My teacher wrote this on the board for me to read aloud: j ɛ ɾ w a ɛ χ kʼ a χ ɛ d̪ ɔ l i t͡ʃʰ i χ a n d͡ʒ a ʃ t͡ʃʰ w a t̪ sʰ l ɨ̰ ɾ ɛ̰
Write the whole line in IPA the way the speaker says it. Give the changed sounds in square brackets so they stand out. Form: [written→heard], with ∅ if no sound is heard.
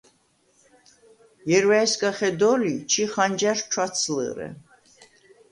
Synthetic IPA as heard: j ɛ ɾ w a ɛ [χ→s] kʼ a χ ɛ d̪ ɔ l i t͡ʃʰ i χ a n d͡ʒ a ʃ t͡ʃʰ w a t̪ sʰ l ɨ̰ ɾ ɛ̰